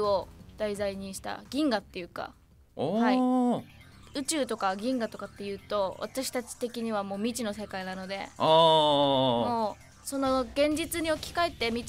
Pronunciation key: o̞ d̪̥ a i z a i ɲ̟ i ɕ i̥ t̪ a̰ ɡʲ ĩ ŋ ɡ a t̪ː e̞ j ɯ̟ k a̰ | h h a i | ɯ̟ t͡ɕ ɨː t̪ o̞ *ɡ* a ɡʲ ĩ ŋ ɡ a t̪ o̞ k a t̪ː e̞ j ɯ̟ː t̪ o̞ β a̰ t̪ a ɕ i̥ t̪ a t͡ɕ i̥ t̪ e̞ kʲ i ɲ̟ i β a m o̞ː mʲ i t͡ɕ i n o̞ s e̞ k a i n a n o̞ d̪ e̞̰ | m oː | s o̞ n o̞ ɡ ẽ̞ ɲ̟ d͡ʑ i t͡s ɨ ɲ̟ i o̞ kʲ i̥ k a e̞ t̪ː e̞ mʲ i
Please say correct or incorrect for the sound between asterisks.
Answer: incorrect